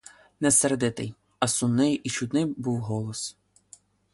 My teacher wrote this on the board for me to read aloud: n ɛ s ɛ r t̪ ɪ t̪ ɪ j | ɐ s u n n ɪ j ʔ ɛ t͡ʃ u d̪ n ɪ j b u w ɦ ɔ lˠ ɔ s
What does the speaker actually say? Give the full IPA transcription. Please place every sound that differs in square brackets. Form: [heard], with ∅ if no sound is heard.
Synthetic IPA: n ɛ s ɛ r [d̪] ɪ t̪ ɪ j | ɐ s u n n ɪ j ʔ [i] t͡ʃ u d̪ n ɪ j b u w ɦ ɔ lˠ ɔ s